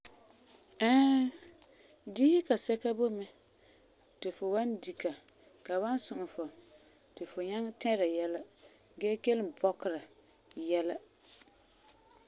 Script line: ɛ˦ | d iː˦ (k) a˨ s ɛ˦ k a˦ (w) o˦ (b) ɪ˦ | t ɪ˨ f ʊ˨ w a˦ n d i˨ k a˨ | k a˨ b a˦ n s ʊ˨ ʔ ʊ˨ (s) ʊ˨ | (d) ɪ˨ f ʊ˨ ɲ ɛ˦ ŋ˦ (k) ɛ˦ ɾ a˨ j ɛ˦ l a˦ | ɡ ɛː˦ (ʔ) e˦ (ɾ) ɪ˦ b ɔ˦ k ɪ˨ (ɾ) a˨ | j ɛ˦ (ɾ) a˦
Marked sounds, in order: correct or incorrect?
correct, incorrect: b, incorrect: m, incorrect: f, incorrect: t, incorrect: t, incorrect: k, incorrect: l, correct, incorrect: l

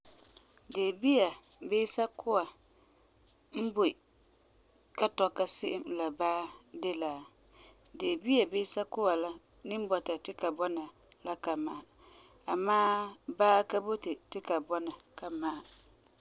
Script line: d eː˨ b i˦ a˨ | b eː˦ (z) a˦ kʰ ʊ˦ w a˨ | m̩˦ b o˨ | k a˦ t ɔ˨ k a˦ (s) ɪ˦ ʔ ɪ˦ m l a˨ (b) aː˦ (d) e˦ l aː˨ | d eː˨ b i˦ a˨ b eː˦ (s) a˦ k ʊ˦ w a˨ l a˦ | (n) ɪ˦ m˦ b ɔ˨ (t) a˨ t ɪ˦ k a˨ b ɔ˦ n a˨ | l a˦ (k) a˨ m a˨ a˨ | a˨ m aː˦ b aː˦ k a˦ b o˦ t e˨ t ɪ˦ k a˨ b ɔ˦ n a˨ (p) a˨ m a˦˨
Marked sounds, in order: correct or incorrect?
incorrect: s, correct, correct, correct, correct, correct, correct, correct, incorrect: k

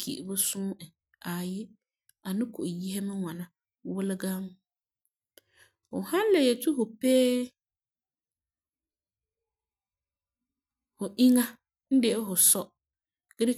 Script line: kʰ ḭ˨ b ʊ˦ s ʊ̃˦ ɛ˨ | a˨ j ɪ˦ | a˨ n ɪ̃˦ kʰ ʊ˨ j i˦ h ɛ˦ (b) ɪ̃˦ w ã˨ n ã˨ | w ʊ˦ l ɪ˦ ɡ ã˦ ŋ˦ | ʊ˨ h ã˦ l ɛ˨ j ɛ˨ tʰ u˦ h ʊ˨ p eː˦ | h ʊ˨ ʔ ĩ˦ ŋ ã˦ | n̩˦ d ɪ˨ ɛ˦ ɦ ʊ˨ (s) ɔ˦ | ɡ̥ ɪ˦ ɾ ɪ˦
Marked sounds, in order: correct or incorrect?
incorrect: m, correct

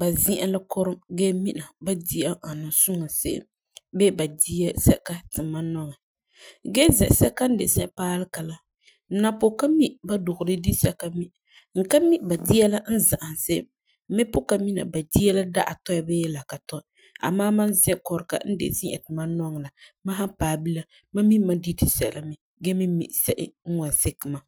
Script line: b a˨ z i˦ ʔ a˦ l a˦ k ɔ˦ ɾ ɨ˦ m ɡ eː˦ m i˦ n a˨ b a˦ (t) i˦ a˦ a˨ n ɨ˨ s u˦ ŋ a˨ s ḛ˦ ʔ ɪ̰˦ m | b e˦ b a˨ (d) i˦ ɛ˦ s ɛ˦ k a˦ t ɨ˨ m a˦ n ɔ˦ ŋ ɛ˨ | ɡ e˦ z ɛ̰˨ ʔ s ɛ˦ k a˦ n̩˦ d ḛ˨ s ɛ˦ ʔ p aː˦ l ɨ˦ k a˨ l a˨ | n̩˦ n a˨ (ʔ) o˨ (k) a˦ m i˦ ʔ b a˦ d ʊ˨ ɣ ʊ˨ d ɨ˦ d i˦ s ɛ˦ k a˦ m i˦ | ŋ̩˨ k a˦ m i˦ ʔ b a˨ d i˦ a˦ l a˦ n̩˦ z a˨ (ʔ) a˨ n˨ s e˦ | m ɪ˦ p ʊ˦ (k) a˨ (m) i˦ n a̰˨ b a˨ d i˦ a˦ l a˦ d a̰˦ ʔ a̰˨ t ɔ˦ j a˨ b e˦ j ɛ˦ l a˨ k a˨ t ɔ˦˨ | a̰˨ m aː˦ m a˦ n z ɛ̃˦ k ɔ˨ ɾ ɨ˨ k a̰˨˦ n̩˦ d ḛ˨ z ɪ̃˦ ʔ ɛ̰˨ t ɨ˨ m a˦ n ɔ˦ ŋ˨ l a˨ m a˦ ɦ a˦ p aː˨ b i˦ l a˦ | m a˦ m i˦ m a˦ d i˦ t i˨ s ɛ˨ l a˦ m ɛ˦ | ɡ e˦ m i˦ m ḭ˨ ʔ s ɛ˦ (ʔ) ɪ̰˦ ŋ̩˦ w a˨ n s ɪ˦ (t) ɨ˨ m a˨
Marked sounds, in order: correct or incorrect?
incorrect: d, correct, incorrect: p, correct, correct, correct, correct, correct, incorrect: k

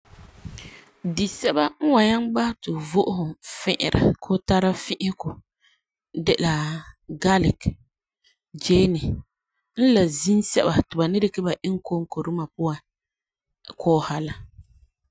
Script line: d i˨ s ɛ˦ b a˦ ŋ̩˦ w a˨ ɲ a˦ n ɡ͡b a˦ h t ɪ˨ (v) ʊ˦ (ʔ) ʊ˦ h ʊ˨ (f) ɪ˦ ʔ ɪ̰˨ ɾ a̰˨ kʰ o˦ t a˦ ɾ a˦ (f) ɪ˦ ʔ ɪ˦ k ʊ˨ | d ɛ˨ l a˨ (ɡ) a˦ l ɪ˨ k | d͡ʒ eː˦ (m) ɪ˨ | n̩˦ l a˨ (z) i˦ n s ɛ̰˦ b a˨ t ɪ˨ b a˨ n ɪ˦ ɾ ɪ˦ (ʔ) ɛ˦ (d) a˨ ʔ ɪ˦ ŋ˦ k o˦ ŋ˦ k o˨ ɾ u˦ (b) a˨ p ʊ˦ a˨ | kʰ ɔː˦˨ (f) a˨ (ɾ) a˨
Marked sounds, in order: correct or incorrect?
correct, correct, correct, correct, correct, incorrect: n, correct, incorrect: k, incorrect: b, incorrect: m, incorrect: h, incorrect: l

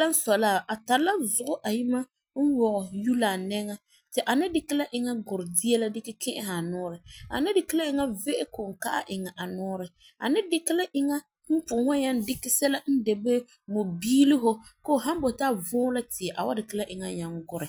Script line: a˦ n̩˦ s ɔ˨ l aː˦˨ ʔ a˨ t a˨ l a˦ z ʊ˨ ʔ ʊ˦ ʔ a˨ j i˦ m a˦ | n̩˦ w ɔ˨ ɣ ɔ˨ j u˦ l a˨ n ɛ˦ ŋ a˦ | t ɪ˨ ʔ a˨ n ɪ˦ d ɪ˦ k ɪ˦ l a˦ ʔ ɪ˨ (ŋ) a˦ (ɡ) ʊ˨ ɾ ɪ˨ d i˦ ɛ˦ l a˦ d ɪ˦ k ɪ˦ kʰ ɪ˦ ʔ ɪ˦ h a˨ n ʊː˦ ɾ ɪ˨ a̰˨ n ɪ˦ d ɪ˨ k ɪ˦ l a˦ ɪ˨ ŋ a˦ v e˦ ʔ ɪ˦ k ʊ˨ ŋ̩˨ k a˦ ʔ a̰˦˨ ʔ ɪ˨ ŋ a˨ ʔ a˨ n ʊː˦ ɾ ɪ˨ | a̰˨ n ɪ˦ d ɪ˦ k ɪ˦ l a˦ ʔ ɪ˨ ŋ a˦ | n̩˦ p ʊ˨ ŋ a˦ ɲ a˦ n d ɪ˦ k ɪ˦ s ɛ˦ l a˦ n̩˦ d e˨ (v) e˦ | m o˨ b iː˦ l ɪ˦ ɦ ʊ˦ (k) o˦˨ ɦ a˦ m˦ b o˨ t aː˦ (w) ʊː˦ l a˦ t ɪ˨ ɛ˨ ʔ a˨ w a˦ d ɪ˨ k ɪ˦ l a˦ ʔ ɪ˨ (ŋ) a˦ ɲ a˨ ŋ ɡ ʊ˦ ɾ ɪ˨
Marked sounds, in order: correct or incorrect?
correct, correct, incorrect: b, correct, incorrect: v, correct

